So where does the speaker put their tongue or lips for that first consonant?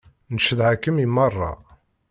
tongue tip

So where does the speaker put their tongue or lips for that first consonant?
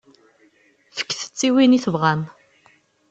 lips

